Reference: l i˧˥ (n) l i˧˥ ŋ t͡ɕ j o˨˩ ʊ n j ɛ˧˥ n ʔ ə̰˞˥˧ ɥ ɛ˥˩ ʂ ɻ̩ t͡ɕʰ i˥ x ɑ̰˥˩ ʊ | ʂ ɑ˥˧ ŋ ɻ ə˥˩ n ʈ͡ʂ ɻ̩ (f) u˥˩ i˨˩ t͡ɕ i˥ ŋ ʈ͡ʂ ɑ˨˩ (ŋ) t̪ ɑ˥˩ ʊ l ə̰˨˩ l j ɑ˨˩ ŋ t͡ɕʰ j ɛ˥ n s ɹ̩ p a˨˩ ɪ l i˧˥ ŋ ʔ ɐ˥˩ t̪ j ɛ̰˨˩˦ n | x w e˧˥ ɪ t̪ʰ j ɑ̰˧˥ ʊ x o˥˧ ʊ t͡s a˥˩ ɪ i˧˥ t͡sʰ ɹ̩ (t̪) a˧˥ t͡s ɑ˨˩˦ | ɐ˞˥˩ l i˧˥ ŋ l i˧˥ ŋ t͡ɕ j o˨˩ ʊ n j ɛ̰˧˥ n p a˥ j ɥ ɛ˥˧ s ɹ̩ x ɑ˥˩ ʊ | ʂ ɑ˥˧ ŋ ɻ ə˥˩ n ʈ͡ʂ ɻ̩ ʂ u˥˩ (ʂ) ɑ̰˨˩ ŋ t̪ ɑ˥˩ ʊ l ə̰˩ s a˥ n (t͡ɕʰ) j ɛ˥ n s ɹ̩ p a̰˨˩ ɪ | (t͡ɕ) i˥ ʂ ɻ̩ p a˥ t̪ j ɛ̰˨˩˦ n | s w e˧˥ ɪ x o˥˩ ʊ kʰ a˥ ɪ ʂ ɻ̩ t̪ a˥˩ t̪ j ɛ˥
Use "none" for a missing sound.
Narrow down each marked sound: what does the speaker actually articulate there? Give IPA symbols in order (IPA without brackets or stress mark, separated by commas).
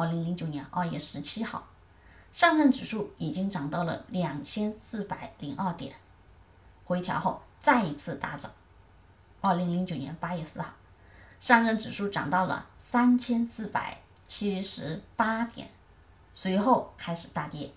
ŋ, ʂ, ŋ, t̪, ʈ͡ʂ, t͡ɕʰ, t͡ɕʰ